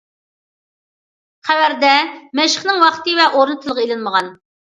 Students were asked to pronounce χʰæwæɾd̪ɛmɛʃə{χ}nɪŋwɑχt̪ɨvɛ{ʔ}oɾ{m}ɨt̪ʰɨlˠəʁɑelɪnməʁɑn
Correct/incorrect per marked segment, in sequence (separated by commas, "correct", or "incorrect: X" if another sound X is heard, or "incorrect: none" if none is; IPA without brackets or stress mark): correct, correct, incorrect: n